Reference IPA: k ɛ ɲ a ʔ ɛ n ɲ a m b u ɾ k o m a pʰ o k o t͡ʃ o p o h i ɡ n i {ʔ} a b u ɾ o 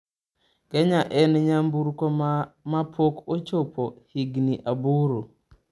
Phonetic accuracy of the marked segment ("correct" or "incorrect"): correct